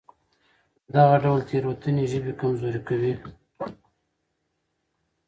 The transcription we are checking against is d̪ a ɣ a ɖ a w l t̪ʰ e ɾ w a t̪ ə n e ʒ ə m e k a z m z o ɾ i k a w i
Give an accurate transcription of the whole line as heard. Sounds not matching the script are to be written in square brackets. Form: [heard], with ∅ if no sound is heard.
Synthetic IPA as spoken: d̪ a ɣ a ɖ a w l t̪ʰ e ɾ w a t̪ ə n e ʒ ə [b] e k a [∅] m z o ɾ i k a w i

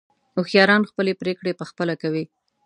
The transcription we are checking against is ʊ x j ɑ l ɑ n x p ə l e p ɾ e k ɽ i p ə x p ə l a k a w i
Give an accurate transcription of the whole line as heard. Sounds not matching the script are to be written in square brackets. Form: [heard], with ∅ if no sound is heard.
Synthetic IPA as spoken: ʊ x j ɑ [ɾ] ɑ n x p ə l e p ɾ e k ɽ [e] p ə x p ə l a k a w i

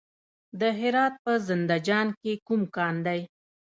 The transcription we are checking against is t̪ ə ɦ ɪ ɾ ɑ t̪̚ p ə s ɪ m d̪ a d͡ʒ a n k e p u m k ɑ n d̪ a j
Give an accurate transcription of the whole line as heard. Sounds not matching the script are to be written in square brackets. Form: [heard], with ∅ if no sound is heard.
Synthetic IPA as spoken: [d̪] ə ɦ ɪ ɾ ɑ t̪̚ p ə [z] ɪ [n] d̪ a d͡ʒ [ɑ] n k e [k] u m k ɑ n d̪ a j

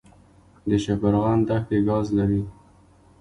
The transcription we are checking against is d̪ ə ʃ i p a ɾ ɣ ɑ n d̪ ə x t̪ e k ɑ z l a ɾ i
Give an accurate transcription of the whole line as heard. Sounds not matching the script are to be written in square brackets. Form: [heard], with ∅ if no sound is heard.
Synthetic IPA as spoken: d̪ ə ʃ [a] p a ɾ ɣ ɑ n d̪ [a] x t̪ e [ɡ] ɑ z l a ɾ i

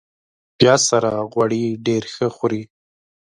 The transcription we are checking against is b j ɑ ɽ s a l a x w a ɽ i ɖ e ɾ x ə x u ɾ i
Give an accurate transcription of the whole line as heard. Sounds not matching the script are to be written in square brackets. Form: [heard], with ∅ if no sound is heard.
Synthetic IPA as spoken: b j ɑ [∅] s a [ɾ] a [ɣ] w a ɽ i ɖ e ɾ x ə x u ɾ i

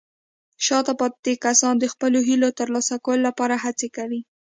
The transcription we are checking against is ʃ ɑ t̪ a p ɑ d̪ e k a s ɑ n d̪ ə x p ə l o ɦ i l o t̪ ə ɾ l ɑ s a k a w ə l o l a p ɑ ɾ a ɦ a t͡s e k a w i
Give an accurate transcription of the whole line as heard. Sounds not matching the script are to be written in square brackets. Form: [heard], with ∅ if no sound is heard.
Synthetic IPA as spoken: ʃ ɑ t̪ a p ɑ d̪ e k a s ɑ n d̪ ə x p ə l o ɦ i l o t̪ ə ɾ l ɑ s a k a w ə l o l a p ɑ ɾ a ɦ a t͡s e k a w i

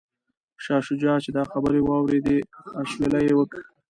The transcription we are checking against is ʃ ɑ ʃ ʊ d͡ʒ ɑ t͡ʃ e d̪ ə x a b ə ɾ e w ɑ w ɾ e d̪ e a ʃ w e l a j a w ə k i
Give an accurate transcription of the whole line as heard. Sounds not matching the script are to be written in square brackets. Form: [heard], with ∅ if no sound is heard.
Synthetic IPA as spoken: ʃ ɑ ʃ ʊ d͡ʒ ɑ t͡ʃ e d̪ [ɑ] x a b ə ɾ e w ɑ w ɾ e d̪ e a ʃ w e l a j [e] w ə k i

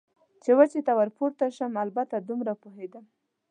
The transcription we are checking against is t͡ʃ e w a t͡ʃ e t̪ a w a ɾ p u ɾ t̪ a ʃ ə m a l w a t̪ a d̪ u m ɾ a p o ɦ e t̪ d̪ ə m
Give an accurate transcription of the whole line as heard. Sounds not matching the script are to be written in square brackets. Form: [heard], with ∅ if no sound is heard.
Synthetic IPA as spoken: t͡ʃ e w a t͡ʃ e t̪ a w a ɾ p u ɾ t̪ a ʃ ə m a l [b] a t̪ a d̪ u m ɾ a p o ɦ e [∅] d̪ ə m

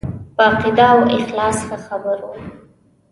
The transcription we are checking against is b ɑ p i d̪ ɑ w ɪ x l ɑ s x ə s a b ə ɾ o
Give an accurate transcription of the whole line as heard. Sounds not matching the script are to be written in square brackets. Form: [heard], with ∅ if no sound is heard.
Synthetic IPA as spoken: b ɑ [q] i d̪ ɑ w ɪ x l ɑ s x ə [x] a b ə ɾ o

